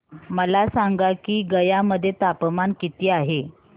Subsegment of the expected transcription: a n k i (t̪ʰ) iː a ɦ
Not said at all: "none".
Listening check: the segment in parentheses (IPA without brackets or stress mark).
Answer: t̪